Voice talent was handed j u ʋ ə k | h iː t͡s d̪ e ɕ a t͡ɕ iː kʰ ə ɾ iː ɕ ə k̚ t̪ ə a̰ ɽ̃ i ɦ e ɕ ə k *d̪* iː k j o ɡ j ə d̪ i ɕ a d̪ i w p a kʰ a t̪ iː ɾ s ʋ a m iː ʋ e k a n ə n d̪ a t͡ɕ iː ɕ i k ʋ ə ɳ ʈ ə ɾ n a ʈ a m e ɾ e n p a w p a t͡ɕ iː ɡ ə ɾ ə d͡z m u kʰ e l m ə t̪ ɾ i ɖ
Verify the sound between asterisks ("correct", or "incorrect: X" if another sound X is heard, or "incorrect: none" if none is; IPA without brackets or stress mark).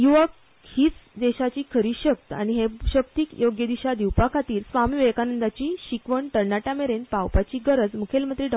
incorrect: t̪